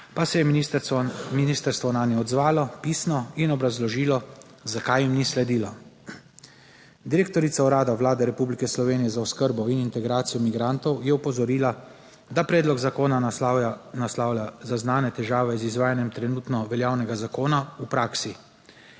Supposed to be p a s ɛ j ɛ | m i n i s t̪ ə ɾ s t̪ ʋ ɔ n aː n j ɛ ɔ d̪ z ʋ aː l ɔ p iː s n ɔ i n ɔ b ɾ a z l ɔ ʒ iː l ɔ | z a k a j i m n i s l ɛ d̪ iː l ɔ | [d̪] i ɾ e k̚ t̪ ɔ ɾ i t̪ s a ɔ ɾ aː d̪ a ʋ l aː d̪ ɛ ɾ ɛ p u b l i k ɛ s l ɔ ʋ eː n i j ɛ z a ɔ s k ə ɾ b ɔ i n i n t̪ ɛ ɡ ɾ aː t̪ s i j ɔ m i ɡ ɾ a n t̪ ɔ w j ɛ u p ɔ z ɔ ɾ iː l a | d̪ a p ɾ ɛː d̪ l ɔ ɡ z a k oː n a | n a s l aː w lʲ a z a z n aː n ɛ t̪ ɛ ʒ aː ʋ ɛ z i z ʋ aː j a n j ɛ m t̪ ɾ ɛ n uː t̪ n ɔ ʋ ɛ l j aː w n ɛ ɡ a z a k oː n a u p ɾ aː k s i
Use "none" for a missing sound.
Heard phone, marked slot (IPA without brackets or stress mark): d̪